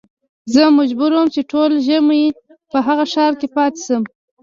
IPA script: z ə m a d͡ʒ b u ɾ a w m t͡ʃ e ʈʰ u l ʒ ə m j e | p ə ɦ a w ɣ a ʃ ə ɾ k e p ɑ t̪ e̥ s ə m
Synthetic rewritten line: z ə m a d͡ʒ b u ɾ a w m t͡ʃ e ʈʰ o l ʒ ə m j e | p ə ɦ a ɣ a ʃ ɑ ɾ k e p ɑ t̪ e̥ s ə m